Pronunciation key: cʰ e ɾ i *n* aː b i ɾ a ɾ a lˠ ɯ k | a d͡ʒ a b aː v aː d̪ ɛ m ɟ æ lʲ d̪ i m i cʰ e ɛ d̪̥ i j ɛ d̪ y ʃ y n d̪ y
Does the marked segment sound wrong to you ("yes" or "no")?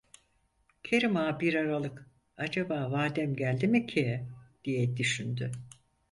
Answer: yes